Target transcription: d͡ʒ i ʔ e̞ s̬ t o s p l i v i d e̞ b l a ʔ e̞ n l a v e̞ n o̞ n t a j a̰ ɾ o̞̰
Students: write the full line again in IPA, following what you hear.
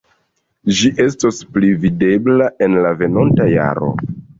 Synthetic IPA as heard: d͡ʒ i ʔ e̞ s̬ t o s p l i v i d e̞ b l a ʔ e̞ n l a v e̞ n o̞ n t a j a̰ ɾ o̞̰

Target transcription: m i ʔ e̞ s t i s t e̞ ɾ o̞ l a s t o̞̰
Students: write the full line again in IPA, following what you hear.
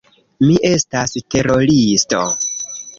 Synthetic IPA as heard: m i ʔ e̞ s t a s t e̞ ɾ o̞ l i s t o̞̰

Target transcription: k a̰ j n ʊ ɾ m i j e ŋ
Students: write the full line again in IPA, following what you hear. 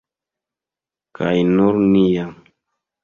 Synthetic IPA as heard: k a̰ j n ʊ ɾ n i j a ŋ

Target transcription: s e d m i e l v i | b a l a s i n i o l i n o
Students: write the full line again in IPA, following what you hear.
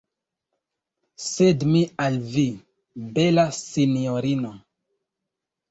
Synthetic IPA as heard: s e d m i a l v i | b e l a s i n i o ɾ i n o

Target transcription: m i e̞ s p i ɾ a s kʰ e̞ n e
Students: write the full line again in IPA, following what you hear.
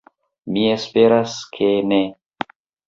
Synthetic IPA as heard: m i e̞ s p e ɾ a s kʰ e̞ n e

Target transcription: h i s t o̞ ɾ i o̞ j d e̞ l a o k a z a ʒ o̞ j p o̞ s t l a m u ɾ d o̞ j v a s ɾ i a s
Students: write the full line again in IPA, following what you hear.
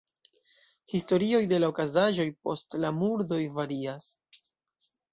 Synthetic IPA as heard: h i s t o̞ ɾ i o̞ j d e̞ l a o k a z a ʒ o̞ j p o̞ s t l a m u ɾ d o̞ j v a ɾ i a s

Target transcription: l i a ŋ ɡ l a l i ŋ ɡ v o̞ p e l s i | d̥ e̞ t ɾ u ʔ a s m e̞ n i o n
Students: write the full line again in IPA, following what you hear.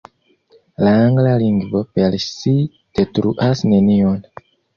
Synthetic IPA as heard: l a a ŋ ɡ l a l i ŋ ɡ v o̞ p e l s i | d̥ e̞ t ɾ u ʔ a s n e̞ n i o n

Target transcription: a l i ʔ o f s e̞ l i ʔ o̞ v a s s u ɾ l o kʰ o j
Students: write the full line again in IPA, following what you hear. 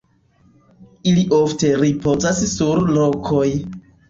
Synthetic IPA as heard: i l i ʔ o f t e̞ ɾ i p o̞ z a s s u ɾ l o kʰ o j

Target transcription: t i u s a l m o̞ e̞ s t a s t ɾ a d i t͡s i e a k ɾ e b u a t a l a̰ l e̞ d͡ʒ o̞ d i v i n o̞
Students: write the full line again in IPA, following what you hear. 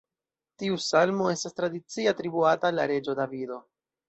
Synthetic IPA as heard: t i u s a l m o̞ e̞ s t a s t ɾ a d i t͡s i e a t ɾ i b u a t a l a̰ ɾ e̞ d͡ʒ o̞ d a v i d o̞

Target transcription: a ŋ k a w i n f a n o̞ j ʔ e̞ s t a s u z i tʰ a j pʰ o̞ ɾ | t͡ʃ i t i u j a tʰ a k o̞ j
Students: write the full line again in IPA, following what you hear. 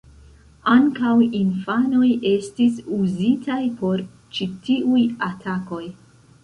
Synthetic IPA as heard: a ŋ k a w i n f a n o̞ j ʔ e̞ s t i s u z i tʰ a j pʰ o̞ ɾ | t͡ʃ i t i u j a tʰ a k o̞ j

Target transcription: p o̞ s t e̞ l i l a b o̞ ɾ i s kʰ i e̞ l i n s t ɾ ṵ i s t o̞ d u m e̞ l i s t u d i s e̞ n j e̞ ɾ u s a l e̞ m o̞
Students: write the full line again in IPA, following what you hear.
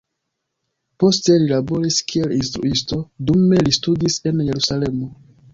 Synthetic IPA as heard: p o̞ s t e̞ l i l a b o̞ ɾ i s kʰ i e̞ l i n s t ɾ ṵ i s t o̞ d u m e̞ l i s t u d i s e̞ n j e̞ ɾ u s a l e̞ m o̞

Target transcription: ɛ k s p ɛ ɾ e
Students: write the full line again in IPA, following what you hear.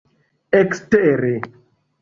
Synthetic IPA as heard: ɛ k s t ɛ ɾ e

